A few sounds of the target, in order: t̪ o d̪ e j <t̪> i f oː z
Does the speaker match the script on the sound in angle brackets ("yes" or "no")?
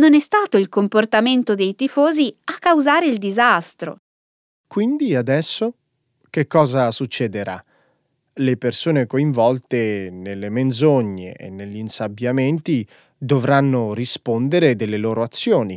yes